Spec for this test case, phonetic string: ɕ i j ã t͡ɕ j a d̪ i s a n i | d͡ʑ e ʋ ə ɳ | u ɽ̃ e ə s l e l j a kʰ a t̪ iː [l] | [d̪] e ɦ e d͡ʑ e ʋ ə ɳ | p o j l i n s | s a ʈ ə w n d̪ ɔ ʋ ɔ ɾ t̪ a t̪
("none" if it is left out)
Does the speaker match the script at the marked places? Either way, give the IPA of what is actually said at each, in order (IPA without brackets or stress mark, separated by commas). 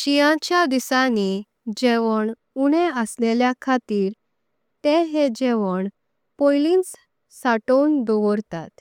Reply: ɾ, t̪